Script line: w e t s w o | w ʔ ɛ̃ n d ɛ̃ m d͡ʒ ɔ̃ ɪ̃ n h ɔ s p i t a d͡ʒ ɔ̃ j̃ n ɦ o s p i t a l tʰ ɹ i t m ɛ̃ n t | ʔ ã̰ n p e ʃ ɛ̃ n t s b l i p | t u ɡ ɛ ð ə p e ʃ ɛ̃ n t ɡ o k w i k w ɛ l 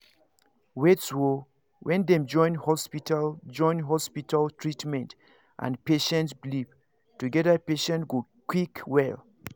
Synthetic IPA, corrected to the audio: w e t s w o | w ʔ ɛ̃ n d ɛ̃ m d͡ʒ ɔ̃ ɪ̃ n h ɔ s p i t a d͡ʒ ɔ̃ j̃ n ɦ ɔ s p i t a l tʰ ɹ i t m ɛ̃ n t | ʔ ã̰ n p e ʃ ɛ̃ n t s b l i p | t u ɡ ɛ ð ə p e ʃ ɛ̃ n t ɡ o k w i k w ɛ l